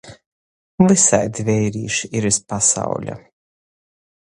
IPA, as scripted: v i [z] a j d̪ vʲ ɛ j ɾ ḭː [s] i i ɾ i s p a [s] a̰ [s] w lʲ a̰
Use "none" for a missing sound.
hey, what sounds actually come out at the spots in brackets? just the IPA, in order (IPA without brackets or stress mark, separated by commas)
s, ʃ, s, none